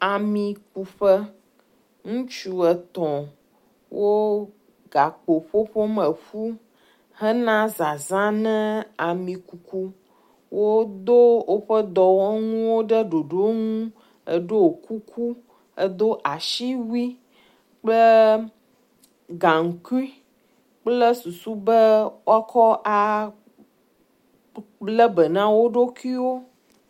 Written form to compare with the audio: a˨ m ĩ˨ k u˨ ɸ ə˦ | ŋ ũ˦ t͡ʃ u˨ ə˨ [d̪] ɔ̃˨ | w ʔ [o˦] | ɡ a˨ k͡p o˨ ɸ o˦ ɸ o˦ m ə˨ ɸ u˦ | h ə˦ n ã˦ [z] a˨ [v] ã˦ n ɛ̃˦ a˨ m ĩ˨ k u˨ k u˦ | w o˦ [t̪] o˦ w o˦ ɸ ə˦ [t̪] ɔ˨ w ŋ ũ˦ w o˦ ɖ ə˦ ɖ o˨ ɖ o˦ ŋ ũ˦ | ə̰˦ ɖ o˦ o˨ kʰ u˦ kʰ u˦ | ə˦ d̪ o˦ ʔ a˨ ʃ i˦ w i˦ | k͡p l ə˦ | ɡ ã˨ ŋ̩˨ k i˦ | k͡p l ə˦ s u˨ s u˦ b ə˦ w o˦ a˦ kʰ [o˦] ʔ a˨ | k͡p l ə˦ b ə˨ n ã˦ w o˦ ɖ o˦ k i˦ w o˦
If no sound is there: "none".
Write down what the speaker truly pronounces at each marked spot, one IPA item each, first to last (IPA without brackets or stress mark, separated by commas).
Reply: t̪, o˦, z, z, d̪, d̪, ɔ˦